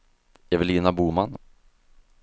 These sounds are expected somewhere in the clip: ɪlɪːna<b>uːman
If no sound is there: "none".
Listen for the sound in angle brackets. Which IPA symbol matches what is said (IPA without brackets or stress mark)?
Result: b